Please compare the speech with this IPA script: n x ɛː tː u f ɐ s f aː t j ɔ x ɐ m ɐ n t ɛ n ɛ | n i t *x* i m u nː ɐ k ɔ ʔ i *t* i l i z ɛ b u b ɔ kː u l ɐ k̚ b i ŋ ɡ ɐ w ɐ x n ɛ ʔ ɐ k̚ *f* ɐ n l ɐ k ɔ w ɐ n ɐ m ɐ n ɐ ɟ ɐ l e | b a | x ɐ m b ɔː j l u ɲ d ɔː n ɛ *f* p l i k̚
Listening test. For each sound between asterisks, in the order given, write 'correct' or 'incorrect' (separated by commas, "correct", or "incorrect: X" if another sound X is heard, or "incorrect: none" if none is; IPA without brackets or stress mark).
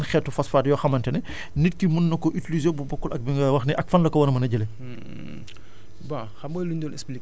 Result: incorrect: k, correct, correct, incorrect: s